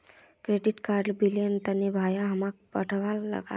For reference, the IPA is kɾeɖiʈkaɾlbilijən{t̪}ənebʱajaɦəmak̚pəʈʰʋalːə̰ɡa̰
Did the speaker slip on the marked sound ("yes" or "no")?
no